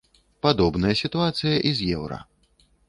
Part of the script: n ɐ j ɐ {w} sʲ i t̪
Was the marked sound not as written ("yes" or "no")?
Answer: yes